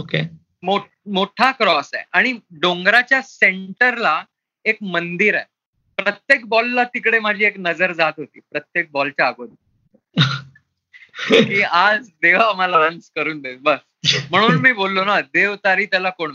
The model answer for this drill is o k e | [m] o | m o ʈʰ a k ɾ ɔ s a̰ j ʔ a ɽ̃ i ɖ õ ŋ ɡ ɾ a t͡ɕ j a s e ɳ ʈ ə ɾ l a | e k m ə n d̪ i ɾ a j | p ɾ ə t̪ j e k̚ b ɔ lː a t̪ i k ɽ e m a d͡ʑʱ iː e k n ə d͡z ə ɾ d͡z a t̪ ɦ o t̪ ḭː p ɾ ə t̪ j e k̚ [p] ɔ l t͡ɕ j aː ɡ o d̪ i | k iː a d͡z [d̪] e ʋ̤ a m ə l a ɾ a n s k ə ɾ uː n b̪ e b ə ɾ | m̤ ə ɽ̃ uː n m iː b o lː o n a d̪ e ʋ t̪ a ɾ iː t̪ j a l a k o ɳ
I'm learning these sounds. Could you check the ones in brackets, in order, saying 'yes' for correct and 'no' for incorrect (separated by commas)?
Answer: yes, no, yes